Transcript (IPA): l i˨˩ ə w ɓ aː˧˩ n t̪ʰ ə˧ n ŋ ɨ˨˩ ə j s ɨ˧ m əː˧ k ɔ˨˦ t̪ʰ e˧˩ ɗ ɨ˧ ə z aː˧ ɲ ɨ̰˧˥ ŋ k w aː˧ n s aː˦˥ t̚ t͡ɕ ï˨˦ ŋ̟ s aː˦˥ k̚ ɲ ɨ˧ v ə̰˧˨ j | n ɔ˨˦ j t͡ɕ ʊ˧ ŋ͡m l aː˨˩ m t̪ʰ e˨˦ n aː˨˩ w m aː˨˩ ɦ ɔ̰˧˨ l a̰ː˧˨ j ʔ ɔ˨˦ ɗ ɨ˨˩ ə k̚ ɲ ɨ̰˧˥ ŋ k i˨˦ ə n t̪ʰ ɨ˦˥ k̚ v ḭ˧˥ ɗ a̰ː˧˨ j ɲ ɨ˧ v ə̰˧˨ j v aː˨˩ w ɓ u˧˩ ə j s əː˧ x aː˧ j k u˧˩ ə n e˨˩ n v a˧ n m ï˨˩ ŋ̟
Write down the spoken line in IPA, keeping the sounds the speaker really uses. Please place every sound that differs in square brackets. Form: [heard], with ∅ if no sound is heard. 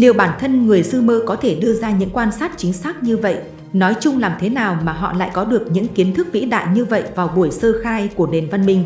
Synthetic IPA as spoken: l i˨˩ ə w ɓ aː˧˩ n t̪ʰ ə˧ n ŋ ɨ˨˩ ə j s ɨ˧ m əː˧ k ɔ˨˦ t̪ʰ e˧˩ ɗ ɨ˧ ə z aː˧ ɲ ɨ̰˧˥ ŋ k w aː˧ n s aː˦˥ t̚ t͡ɕ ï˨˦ ŋ̟ s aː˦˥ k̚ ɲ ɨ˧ v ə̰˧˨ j | n ɔ˨˦ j t͡ɕ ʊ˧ ŋ͡m l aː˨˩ m t̪ʰ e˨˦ n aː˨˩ w m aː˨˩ ɦ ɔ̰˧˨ l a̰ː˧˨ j [k] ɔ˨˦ ɗ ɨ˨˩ ə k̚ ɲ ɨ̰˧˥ ŋ k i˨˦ ə n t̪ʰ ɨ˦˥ k̚ v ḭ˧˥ ɗ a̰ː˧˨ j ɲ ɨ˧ v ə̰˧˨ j v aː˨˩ w ɓ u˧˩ ə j s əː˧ x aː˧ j k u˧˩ ə n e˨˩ n v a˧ n m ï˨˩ ŋ̟